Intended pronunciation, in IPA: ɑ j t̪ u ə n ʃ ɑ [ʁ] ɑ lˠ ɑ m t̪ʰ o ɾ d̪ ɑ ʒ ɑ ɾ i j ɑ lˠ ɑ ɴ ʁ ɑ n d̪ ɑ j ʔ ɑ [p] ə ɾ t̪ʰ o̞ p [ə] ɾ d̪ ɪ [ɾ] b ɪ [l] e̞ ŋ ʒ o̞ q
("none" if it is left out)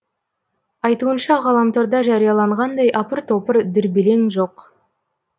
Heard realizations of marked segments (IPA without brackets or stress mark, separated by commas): ʁ, p, ə, ɾ, l